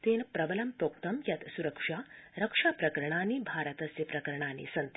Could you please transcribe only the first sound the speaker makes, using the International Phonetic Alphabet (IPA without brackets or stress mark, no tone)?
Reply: t̪